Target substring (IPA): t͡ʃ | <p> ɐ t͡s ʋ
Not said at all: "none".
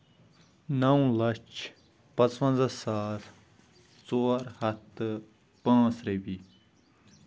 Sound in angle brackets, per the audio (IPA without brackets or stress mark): p